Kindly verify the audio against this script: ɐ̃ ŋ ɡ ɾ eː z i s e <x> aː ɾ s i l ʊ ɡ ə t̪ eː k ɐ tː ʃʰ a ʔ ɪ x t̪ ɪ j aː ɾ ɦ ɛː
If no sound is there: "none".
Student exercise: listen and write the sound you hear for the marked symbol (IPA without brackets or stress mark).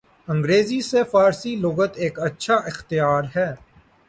f